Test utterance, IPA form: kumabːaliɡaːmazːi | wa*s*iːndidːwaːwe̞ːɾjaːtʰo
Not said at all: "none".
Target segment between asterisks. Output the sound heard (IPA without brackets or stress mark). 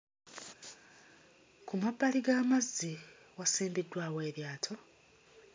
s